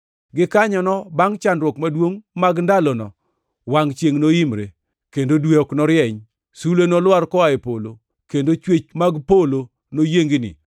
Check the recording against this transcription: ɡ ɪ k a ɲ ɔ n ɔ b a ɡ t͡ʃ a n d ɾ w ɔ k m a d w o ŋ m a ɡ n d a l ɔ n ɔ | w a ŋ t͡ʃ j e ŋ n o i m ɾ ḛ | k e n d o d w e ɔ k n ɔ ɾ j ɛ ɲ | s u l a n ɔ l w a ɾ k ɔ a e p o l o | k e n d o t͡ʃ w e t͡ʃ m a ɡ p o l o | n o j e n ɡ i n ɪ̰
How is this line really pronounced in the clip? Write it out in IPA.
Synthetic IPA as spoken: ɡ ɪ k a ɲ ɔ n ɔ b a ŋ t͡ʃ a n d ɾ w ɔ k m a d w o ŋ m a ɡ n d a l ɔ n ɔ | w a ŋ t͡ʃ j e ŋ n o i m ɾ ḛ | k e n d o d w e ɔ k n ɔ ɾ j ɛ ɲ | s u l e n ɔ l w a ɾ k ɔ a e p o l o | k e n d o t͡ʃ w e t͡ʃ m a ɡ p o l o | n o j e ŋ ɡ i n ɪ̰